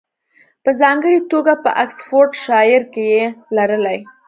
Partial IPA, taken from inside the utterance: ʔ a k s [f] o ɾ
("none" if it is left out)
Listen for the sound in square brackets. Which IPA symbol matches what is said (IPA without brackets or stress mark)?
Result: f